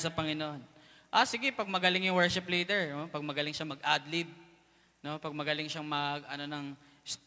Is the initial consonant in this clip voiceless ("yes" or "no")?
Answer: yes